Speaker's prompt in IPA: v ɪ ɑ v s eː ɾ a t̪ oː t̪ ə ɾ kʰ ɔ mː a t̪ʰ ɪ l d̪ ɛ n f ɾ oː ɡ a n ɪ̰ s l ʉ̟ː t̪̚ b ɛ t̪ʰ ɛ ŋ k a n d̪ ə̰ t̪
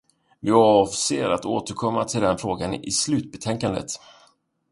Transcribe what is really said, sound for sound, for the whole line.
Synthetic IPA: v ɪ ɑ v s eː ɾ a t̪ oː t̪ ə ɾ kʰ ɔ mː a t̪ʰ ɪ l d̪ ɛ n f ɾ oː ɡ a n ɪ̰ s l ʉ̟ː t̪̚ b ɛ t̪ʰ ɛ ŋ k a n d̪ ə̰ t̪